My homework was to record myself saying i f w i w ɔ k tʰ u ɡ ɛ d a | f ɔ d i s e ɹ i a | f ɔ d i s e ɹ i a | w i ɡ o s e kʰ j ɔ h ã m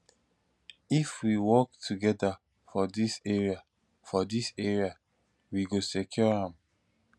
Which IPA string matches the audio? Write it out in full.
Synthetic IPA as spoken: i f w i w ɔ k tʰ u ɡ ɛ d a | f ɔ d i s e ɹ i a | f ɔ d i s e ɹ i a | w i ɡ o s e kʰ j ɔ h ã m